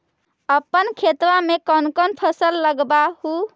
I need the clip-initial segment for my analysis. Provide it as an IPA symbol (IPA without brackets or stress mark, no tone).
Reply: ə